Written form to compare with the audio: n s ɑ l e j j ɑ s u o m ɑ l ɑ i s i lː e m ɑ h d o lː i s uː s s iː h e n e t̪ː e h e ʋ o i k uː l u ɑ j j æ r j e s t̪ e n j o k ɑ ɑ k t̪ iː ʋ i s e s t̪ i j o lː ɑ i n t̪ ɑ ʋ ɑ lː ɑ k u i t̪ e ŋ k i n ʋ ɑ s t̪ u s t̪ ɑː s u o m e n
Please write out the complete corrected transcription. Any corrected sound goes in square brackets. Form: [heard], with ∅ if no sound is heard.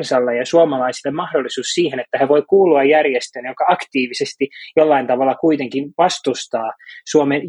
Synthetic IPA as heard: n s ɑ [lː] e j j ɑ s u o m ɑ l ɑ i s i lː e m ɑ h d o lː i s uː s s iː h e n e t̪ː [æ] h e ʋ o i k uː l u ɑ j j æ r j e s t̪ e n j o k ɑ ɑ k t̪ iː ʋ i s e s t̪ i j o lː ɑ i n t̪ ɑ ʋ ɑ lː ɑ k u i t̪ e ŋ k i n ʋ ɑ s t̪ u s t̪ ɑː s u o m e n